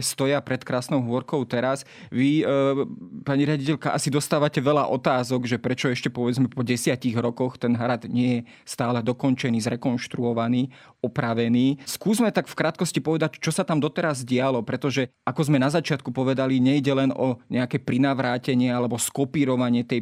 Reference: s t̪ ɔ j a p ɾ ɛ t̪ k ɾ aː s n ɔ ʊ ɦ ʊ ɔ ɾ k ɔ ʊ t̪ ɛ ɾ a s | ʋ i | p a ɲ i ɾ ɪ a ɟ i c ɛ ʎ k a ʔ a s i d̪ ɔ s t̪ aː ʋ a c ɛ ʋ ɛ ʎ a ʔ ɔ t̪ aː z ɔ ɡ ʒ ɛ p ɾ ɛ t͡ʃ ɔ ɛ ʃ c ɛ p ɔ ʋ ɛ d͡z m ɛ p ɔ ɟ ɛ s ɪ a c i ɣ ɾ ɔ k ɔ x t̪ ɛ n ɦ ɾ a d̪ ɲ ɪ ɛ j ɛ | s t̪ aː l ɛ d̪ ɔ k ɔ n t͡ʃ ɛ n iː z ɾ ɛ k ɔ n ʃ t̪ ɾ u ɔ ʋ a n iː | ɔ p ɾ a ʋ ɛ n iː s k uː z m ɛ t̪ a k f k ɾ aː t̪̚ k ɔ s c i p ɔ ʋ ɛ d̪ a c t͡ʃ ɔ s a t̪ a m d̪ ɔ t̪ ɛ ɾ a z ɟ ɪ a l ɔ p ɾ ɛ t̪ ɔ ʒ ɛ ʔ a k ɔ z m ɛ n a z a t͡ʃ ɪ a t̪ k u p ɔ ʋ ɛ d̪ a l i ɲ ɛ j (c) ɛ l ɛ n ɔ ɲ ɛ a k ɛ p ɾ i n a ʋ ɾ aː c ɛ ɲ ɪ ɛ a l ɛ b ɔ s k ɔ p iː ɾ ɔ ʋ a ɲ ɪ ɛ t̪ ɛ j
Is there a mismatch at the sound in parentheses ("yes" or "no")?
yes